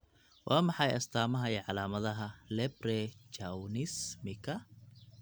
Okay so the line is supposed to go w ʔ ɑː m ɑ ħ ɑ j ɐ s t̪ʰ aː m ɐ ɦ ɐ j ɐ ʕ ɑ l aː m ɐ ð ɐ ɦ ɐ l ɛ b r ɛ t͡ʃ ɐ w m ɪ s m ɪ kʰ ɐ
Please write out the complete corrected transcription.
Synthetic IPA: w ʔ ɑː m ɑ ħ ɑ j ɐ s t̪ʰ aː m ɐ ɦ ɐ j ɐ ʕ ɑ l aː m ɐ ð ɐ ɦ ɐ l ɛ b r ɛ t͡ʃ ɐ w n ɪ s m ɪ kʰ ɐ